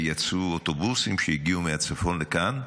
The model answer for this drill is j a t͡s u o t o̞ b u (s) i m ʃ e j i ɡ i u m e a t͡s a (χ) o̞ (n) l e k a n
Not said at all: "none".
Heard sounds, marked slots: s, f, n

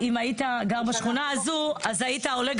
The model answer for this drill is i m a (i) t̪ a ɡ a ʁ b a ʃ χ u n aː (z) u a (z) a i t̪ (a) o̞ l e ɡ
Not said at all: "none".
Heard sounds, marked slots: i, z, z, a

